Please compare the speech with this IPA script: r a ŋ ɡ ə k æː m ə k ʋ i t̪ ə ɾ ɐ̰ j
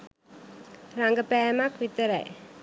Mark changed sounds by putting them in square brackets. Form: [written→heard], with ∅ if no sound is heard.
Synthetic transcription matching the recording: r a ŋ ɡ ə [k→p] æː m [ə→a] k ʋ i t̪ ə ɾ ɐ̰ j